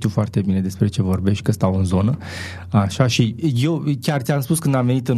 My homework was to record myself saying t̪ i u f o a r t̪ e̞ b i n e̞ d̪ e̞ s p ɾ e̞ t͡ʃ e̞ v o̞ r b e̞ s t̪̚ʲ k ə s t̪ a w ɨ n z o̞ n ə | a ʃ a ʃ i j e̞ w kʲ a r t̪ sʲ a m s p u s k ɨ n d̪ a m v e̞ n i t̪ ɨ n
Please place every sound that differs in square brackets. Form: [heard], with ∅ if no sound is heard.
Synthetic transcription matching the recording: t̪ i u f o a r t̪ e̞ b i n e̞ d̪ e̞ s p ɾ e̞ t͡ʃ e̞ v o̞ r b e̞ [ʃ] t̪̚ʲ k ə s t̪ a w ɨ n z o̞ n ə | a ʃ a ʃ i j e̞ w kʲ a r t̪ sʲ a m s p u s k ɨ n d̪ a m v e̞ n i t̪ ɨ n